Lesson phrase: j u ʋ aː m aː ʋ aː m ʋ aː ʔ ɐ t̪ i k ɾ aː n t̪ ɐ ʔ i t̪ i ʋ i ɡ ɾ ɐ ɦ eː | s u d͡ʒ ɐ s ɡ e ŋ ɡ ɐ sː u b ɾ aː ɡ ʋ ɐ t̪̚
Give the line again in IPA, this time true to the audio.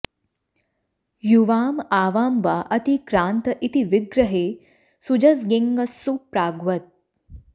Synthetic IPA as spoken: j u ʋ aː m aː ʋ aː m ʋ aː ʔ ɐ t̪ i k ɾ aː n t̪ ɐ ʔ i t̪ i ʋ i ɡ ɾ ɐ ɦ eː | s u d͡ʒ ɐ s ɡ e ŋ ɡ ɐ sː u p ɾ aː ɡ ʋ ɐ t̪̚